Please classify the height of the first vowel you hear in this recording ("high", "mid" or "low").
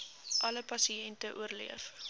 low